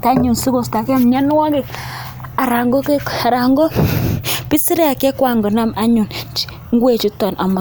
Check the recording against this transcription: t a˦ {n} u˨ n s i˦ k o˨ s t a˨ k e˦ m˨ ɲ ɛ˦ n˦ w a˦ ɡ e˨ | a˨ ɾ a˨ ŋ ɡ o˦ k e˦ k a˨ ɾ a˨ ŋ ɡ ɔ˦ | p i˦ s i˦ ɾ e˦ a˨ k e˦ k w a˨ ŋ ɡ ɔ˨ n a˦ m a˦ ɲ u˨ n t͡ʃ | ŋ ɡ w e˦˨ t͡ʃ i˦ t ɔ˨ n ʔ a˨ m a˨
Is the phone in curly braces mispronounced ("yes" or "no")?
yes